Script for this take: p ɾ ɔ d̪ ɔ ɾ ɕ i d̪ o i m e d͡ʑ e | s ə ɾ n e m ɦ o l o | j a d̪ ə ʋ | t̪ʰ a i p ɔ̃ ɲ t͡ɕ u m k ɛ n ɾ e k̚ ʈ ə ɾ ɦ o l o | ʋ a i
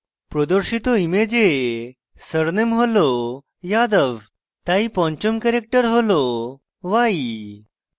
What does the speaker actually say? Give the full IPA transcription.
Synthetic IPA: p ɾ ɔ d̪ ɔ ɾ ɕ i t̪ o i m e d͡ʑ e | s ə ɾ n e m ɦ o l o | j a d̪ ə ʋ | t̪ a i p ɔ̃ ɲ t͡ɕ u m k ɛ ɾ e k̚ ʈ ə ɾ ɦ o l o | ʋ a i